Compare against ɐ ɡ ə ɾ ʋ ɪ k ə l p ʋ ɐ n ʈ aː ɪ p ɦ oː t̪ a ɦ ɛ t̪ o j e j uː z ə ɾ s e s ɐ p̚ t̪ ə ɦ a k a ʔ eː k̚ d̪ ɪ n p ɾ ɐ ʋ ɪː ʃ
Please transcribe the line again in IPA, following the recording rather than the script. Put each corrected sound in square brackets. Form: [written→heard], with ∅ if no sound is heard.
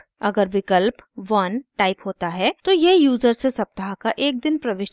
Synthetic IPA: ɐ ɡ ə ɾ ʋ ɪ k ə l p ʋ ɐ n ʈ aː ɪ p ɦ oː t̪ a ɦ ɛ t̪ o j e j uː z ə ɾ s e s ɐ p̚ t̪ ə ɦ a k a ʔ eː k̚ d̪ ɪ n p ɾ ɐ ʋ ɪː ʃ